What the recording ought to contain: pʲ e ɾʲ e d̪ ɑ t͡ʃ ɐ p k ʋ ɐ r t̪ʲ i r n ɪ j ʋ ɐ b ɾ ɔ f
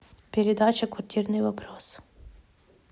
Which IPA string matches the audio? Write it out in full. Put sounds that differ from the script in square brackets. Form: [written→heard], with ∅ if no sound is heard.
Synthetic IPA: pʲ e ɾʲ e d̪ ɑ t͡ʃ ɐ [p→∅] k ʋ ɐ r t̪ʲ i r n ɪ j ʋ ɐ [b→p] ɾ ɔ [f→s]